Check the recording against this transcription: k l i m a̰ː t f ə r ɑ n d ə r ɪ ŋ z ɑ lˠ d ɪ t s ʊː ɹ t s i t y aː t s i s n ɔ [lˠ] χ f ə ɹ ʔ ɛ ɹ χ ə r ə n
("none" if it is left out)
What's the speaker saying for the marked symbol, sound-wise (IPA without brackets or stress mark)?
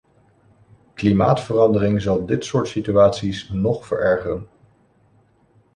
none